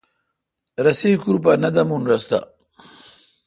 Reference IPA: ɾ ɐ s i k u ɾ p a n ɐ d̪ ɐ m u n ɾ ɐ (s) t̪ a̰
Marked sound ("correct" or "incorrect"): correct